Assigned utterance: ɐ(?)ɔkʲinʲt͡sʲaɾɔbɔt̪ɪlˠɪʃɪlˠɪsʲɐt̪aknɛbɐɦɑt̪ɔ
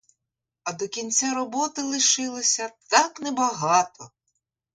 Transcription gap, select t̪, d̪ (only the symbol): d̪